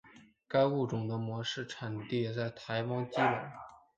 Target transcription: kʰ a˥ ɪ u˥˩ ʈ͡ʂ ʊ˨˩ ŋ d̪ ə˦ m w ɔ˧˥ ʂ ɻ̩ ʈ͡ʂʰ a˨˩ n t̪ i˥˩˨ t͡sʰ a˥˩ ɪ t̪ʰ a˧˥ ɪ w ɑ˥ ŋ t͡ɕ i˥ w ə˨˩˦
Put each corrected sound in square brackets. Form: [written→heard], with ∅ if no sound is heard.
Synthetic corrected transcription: [kʰ→k] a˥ ɪ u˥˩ ʈ͡ʂ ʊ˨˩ ŋ d̪ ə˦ m w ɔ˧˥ ʂ ɻ̩ ʈ͡ʂʰ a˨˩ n t̪ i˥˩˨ [t͡sʰ→t͡s] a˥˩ ɪ t̪ʰ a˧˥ ɪ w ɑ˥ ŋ t͡ɕ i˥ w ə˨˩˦